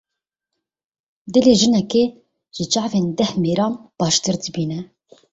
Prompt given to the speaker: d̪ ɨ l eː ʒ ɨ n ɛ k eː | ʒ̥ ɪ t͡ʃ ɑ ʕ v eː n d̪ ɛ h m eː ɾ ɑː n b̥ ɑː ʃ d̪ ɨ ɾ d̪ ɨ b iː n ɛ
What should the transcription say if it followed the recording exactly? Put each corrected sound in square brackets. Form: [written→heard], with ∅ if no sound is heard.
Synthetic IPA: d̪ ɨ l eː ʒ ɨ n ɛ k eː | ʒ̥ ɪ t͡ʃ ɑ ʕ v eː n d̪ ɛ h m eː ɾ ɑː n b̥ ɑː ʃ [d̪→t̪] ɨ ɾ d̪ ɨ b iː n ɛ